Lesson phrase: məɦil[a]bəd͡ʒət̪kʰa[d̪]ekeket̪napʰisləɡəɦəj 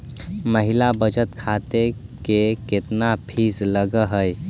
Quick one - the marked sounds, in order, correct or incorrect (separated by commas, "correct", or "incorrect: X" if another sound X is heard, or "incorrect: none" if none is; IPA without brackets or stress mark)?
correct, incorrect: t̪